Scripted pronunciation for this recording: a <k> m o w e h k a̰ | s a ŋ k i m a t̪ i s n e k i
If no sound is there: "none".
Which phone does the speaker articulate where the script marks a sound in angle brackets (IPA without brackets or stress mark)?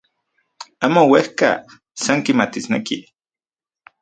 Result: none